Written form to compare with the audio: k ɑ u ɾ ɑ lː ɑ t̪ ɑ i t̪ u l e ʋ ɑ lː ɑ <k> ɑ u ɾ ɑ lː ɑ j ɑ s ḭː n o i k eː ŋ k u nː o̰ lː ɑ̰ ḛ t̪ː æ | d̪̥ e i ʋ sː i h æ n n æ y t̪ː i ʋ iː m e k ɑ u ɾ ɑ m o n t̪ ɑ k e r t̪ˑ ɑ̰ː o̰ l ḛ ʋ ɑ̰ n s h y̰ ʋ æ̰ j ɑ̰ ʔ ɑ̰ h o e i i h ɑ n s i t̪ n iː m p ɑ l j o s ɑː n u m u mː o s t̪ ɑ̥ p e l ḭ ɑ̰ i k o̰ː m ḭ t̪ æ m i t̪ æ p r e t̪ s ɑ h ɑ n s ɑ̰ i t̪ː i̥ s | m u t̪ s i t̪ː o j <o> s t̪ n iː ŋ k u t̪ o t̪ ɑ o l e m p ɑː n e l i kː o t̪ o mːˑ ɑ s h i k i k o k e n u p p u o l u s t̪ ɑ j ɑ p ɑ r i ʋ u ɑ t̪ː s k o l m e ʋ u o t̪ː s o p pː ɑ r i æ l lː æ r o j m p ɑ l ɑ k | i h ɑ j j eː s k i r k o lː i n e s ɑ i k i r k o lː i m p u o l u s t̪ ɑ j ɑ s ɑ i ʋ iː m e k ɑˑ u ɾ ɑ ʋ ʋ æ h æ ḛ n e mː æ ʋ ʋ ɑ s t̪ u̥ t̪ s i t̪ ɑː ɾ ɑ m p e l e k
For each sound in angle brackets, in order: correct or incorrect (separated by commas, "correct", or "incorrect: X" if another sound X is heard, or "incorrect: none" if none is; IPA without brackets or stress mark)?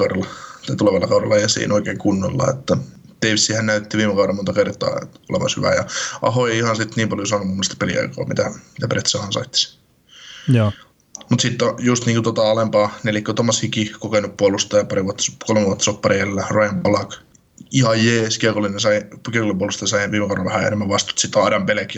correct, incorrect: u